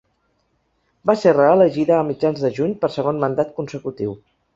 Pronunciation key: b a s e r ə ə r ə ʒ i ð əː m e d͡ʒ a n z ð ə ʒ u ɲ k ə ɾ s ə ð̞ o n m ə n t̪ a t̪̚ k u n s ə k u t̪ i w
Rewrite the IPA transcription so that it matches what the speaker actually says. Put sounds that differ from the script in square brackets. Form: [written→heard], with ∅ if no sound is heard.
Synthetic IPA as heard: b a s e r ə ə [r→l] ə ʒ i ð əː m [e→i] d͡ʒ a n z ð ə ʒ u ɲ [k→p] ə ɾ s ə [ð̞→ɣ̞] o n m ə n [t̪→d̪] a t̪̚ k u n s ə k u t̪ i w